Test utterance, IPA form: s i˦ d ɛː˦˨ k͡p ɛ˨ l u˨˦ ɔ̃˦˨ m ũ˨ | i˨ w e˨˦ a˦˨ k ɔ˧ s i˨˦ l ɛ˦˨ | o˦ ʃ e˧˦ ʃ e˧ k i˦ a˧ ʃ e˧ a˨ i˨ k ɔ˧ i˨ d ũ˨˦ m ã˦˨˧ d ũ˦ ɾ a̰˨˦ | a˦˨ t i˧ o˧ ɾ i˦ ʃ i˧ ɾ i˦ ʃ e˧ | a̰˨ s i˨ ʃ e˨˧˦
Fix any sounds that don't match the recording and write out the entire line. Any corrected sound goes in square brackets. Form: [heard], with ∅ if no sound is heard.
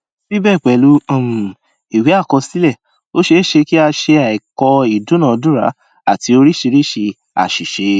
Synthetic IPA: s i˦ [b] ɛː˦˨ k͡p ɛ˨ l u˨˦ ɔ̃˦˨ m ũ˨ | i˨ w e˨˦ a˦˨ k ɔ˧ s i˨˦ l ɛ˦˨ | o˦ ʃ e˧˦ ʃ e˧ k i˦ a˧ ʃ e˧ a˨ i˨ k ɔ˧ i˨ d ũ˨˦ [n] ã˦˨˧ d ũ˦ ɾ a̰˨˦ | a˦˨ t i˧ o˧ ɾ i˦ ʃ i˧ ɾ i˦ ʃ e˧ | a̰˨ [ʃ] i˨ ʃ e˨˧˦